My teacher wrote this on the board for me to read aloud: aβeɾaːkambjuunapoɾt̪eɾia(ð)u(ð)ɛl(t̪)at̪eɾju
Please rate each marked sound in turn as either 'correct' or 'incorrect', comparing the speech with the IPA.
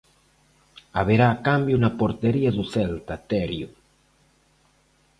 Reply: correct, incorrect: θ, correct

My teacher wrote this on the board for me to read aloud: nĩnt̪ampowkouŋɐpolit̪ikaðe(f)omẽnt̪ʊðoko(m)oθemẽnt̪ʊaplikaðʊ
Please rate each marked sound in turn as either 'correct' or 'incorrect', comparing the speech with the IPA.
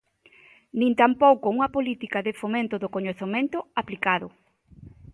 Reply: correct, incorrect: ɲ

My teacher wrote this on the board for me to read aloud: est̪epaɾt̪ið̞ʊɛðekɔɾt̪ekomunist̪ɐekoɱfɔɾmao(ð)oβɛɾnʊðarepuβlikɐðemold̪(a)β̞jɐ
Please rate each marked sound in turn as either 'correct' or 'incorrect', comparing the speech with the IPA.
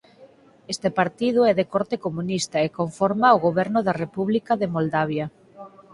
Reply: incorrect: ɣ, correct

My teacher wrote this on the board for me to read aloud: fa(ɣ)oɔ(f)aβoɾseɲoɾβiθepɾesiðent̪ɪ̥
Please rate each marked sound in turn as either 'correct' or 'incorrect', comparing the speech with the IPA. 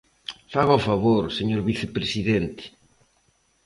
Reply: correct, correct

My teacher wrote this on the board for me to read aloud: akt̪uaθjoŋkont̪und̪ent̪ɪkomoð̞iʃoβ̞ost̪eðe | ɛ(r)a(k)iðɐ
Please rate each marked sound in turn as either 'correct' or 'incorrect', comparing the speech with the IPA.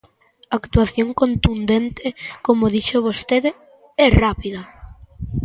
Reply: correct, incorrect: p

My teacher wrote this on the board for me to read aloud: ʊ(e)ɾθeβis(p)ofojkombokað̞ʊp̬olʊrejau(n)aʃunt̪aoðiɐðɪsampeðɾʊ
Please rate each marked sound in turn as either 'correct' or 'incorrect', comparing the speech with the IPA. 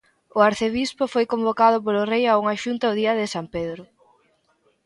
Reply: incorrect: a, correct, incorrect: ŋ

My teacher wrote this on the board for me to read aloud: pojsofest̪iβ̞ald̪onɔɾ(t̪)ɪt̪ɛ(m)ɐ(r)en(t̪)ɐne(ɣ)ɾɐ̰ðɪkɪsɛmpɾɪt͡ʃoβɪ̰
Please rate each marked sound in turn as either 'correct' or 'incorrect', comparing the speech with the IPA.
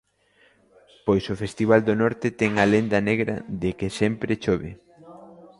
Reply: correct, incorrect: ŋ, incorrect: l, incorrect: d̪, correct

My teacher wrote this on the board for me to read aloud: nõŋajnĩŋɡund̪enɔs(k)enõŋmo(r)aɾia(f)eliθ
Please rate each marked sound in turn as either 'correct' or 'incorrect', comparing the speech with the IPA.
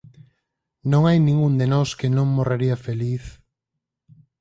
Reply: correct, correct, correct

